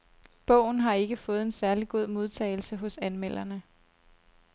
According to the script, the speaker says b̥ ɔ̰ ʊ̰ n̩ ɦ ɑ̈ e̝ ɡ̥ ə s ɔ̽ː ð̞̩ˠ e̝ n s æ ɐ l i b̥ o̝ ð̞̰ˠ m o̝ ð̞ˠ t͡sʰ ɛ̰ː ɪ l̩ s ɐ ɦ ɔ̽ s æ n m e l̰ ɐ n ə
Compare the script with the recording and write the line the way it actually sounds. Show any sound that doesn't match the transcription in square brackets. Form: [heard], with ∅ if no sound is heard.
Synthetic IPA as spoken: b̥ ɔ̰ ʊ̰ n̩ ɦ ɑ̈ e̝ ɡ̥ ə [f] ɔ̽ː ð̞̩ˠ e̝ n s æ ɐ l i [ɡ̥] o̝ ð̞̰ˠ m o̝ ð̞ˠ t͡sʰ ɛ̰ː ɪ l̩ s [ə] ɦ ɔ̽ s æ n m e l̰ ɐ n ə